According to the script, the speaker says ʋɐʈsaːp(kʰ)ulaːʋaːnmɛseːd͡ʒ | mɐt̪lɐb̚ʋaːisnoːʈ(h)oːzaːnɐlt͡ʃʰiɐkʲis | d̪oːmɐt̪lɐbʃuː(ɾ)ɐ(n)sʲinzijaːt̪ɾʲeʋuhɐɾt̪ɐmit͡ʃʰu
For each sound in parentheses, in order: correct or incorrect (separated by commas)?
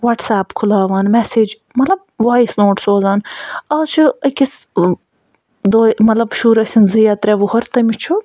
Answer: correct, incorrect, correct, incorrect